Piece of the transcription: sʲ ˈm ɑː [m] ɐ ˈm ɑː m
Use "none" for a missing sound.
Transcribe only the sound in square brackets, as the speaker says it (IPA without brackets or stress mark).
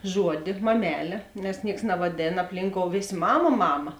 m